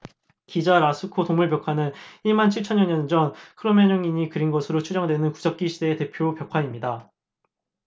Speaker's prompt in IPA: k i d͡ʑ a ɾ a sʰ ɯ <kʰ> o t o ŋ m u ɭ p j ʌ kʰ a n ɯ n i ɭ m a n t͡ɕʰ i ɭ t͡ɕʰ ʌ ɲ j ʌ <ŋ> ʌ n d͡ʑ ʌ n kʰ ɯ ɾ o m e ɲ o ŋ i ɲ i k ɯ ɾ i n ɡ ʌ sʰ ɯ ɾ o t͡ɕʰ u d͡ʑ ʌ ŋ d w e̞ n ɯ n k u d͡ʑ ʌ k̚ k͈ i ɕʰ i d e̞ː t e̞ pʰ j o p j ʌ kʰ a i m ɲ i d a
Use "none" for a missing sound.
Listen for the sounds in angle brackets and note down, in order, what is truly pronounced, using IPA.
kʰ, ɲ

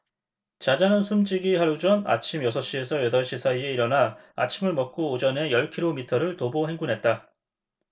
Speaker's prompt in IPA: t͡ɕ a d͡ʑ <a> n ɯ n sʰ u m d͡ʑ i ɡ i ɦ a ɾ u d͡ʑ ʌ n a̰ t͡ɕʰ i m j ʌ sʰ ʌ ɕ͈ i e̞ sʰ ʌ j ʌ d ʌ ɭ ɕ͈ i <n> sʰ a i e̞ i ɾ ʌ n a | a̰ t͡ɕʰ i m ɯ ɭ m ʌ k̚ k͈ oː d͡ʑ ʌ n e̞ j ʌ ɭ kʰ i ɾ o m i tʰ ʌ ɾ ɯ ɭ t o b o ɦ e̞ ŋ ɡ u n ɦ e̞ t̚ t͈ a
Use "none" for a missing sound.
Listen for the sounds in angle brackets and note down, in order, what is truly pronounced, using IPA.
a, none

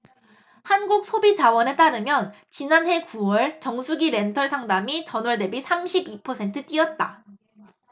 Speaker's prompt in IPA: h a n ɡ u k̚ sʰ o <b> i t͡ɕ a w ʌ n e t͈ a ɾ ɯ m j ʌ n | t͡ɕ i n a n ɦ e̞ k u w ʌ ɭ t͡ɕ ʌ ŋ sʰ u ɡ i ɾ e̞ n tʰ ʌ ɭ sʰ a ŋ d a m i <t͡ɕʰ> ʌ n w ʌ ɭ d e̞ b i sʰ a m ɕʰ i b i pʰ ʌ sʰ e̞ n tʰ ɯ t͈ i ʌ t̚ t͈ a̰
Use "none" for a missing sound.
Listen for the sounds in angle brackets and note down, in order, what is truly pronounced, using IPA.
b, t͡ɕ

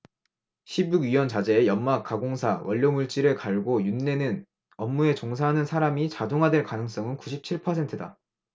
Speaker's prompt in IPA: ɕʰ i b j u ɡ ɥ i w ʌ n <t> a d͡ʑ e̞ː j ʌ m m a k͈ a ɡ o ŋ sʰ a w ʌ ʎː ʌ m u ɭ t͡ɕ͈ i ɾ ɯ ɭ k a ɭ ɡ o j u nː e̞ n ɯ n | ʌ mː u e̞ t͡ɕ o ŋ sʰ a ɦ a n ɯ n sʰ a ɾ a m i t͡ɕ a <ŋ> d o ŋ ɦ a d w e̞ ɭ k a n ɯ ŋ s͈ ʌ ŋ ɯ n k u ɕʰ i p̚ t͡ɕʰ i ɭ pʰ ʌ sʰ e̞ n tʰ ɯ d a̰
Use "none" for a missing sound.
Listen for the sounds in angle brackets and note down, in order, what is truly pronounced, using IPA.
t͡ɕ, none

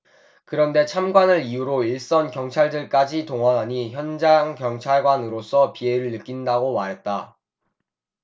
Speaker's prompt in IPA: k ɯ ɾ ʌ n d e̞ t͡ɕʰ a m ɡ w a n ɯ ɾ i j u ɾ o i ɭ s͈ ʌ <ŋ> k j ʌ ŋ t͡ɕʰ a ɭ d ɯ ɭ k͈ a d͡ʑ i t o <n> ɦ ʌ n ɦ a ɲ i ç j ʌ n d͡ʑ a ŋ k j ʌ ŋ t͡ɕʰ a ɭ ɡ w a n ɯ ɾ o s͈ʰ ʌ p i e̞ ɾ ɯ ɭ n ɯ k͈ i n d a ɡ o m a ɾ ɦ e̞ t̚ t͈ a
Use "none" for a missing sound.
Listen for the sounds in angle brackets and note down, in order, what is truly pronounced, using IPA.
n, ŋ

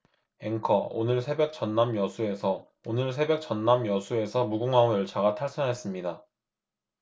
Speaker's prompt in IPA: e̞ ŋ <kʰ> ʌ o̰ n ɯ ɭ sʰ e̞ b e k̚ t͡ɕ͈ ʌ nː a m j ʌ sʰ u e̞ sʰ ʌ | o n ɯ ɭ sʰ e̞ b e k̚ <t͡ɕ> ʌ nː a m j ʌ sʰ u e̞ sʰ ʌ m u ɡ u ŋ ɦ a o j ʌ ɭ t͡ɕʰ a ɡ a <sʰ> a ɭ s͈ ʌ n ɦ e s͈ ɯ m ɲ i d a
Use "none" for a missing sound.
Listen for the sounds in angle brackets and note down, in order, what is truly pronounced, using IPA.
kʰ, t͡ɕ, tʰ

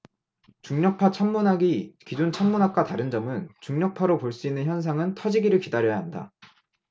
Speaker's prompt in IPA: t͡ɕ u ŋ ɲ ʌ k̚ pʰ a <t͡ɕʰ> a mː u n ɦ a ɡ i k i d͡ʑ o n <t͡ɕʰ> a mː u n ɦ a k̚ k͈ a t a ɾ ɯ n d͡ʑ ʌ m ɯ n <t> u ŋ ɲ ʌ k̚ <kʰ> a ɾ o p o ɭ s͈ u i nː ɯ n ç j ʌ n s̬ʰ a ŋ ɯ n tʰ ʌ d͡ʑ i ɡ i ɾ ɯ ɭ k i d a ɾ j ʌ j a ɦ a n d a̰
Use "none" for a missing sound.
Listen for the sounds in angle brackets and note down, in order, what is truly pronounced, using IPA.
t͡ɕʰ, t͡ɕʰ, t͡ɕ, pʰ

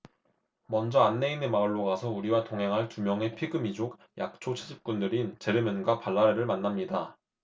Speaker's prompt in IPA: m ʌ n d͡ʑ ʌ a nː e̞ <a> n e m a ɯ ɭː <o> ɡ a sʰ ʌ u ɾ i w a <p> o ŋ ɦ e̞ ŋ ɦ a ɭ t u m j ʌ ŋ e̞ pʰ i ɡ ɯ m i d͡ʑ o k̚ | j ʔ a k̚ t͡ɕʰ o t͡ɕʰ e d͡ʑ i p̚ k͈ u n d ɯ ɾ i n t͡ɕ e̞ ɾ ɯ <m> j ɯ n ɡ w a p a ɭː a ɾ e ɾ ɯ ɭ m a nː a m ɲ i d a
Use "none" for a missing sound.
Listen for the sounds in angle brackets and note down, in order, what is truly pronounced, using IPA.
i, o, t, m

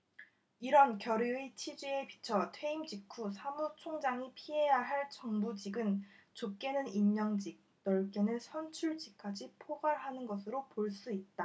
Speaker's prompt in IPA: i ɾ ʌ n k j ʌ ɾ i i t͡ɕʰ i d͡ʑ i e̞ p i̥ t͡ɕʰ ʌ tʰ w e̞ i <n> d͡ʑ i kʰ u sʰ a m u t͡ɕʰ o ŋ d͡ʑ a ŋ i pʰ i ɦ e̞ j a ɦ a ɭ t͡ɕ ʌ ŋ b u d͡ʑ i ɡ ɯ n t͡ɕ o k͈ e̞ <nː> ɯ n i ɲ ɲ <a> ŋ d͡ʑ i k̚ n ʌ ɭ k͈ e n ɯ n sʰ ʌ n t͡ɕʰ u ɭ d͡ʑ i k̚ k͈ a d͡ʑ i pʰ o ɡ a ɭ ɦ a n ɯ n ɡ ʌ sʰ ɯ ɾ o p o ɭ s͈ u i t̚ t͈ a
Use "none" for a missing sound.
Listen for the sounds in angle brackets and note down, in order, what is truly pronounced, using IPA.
m, n, ʌ

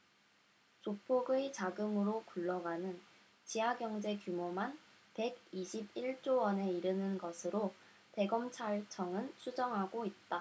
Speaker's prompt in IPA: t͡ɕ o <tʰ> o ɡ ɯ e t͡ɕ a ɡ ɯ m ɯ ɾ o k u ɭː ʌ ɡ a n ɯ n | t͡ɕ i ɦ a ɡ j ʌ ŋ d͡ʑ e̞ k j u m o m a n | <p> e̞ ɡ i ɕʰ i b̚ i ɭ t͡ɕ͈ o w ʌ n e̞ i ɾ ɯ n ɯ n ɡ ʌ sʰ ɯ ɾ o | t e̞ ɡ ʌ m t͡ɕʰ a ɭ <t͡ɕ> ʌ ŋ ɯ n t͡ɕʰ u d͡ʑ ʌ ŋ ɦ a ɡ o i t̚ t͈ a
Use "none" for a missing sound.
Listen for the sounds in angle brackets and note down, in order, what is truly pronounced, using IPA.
pʰ, p, t͡ɕʰ

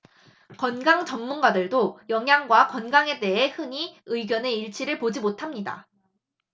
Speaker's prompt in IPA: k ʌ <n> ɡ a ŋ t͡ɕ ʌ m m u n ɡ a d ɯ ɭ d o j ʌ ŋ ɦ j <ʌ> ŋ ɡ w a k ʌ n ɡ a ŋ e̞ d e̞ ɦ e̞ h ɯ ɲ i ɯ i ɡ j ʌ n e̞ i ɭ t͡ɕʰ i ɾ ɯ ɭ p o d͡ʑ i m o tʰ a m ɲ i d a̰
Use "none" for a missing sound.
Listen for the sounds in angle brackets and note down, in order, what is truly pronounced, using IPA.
n, a

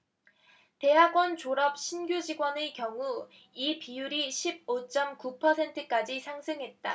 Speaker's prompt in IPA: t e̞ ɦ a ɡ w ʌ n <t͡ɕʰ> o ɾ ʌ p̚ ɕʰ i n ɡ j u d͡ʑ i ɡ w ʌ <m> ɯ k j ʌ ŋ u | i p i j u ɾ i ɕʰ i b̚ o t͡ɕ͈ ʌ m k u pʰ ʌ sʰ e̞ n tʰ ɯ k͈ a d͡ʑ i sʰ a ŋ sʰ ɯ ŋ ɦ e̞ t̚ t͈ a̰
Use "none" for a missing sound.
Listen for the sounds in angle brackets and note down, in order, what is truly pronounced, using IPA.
t͡ɕ, n

